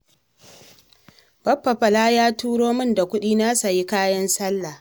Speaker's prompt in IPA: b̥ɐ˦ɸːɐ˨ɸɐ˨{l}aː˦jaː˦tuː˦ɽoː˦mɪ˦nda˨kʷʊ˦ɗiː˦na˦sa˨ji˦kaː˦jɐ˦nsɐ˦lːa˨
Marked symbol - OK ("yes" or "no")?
yes